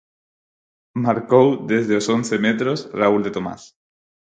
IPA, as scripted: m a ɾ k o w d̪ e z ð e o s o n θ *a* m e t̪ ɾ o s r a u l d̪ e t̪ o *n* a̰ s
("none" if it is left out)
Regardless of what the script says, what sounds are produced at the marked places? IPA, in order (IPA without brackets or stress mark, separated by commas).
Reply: e, m